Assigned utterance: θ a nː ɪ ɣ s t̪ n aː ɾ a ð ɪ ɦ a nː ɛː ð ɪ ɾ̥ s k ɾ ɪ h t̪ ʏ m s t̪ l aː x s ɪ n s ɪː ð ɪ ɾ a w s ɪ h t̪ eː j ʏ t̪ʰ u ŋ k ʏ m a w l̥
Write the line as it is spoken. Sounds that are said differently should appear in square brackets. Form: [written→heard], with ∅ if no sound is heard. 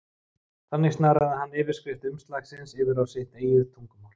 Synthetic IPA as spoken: θ a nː ɪ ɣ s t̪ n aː ɾ a ð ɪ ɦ a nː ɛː [ð→v] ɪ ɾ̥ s k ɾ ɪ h t̪ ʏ m s t̪ l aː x s ɪ n s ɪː [ð→v] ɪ ɾ a w s ɪ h t̪ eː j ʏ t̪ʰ u ŋ k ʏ m a w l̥